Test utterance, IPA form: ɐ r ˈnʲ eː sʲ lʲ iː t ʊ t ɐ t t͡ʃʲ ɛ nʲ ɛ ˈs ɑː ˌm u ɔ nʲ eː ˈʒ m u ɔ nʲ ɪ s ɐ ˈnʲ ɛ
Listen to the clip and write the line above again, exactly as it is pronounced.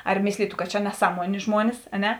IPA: ɐ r ˈmʲ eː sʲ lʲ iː t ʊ k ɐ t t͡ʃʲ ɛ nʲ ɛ ˈs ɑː ˌm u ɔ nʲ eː ˈʒ m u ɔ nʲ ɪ s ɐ ˈnʲ ɛ